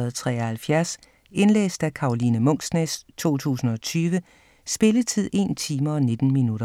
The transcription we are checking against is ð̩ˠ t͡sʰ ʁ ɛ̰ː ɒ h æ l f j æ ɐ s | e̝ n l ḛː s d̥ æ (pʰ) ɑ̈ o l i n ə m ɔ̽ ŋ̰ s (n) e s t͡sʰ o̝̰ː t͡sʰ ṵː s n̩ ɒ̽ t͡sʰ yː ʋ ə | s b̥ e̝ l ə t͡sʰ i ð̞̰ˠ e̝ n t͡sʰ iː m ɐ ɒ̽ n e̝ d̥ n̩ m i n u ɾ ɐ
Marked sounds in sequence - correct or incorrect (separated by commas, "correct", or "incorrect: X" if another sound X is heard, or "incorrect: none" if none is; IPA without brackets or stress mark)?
incorrect: kʰ, correct